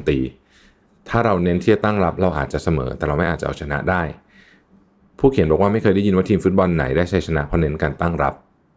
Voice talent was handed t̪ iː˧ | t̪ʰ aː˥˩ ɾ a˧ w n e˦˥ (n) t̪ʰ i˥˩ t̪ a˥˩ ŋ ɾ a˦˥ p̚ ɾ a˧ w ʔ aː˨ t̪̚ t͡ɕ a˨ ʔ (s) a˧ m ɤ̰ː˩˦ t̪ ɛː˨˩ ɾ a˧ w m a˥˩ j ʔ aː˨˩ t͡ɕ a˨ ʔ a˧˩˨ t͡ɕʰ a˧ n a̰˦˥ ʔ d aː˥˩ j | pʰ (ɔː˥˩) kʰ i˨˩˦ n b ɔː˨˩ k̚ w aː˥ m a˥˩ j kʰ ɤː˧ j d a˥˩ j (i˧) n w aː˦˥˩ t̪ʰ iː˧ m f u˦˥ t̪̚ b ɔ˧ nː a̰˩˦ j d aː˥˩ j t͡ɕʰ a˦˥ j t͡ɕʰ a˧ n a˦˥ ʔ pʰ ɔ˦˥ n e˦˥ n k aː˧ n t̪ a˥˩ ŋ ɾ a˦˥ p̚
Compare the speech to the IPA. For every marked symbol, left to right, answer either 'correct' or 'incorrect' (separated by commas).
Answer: correct, correct, incorrect, correct